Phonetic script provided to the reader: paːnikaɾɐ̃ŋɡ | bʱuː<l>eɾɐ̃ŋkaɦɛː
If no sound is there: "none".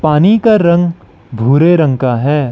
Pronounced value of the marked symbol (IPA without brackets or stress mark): ɾ